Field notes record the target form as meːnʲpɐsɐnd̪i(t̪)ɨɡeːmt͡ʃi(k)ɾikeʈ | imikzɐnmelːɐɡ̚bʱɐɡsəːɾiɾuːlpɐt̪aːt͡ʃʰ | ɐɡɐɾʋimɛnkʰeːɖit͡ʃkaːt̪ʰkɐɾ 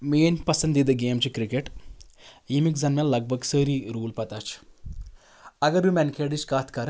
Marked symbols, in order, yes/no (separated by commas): no, yes